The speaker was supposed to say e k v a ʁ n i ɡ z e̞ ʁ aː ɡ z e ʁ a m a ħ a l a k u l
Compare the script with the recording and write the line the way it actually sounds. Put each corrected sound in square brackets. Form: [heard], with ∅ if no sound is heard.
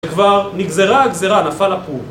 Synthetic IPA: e k v a ʁ n i ɡ z e̞ ʁ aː ɡ z e ʁ a [n] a [f] a l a [p] u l